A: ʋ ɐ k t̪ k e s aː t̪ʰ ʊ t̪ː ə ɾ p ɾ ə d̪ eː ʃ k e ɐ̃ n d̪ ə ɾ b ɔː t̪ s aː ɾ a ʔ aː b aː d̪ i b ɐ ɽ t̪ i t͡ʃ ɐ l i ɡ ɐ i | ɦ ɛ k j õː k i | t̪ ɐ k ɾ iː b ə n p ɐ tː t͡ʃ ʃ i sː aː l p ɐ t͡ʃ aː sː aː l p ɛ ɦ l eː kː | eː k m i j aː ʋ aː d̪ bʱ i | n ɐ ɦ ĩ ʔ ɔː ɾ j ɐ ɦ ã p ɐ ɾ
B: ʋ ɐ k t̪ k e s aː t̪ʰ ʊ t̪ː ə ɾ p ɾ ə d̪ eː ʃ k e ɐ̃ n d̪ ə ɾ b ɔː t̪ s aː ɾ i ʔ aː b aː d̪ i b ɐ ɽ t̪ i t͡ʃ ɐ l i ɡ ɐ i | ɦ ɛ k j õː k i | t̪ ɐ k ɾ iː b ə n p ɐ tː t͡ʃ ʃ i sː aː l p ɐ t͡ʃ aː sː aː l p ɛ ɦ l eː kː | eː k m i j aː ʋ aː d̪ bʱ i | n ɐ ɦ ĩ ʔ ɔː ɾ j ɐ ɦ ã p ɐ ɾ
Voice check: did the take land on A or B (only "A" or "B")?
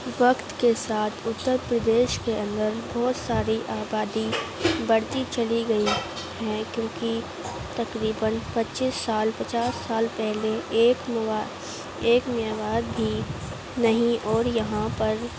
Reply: B